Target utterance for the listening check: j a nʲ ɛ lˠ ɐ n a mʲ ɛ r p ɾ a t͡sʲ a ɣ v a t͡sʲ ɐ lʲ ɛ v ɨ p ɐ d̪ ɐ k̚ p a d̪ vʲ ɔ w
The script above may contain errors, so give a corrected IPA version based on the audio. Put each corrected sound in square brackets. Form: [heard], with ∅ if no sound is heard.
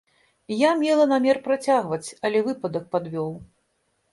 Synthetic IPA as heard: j a [mʲ] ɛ lˠ ɐ n a mʲ ɛ r p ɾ a t͡sʲ a ɣ v [ɐ] t͡sʲ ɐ lʲ ɛ v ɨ p ɐ d̪ ɐ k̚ p a d̪ vʲ ɔ w